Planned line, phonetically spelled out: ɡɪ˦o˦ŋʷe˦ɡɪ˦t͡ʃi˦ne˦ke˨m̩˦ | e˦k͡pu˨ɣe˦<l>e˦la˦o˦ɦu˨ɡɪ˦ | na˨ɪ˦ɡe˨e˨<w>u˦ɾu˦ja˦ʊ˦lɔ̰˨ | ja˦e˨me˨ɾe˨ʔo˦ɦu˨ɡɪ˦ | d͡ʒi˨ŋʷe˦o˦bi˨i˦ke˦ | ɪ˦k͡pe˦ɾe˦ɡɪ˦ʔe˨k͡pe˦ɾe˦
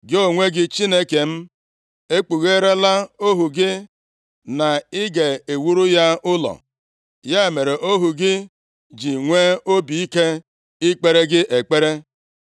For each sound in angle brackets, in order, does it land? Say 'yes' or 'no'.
no, yes

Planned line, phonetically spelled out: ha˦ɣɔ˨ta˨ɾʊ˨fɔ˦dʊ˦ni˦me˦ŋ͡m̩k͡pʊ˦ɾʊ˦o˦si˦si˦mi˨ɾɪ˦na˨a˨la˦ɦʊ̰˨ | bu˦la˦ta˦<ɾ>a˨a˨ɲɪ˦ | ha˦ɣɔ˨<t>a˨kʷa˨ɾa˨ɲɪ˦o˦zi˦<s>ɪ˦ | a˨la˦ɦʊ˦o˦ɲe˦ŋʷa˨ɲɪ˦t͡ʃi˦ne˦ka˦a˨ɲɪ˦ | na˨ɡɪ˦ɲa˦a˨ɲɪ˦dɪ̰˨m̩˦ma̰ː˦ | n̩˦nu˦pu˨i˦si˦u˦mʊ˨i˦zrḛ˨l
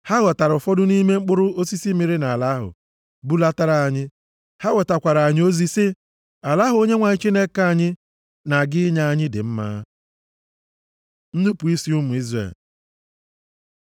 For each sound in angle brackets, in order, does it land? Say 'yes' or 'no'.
yes, yes, yes

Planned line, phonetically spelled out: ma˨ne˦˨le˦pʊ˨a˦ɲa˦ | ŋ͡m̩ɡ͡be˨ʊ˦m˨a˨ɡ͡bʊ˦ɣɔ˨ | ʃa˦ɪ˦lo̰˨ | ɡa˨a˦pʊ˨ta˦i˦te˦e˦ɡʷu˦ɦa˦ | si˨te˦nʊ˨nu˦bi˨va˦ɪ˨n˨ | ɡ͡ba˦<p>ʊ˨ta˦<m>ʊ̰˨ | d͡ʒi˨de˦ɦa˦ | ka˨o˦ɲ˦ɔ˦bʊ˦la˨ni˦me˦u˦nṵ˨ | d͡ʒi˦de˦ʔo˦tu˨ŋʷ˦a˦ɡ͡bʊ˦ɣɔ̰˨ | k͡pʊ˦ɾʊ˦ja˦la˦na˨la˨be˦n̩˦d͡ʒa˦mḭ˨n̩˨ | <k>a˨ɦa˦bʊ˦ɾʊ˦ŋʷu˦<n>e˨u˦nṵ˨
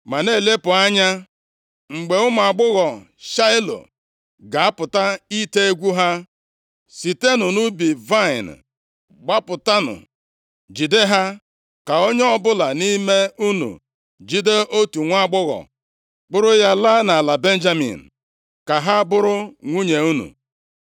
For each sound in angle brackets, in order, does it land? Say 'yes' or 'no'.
yes, no, yes, no

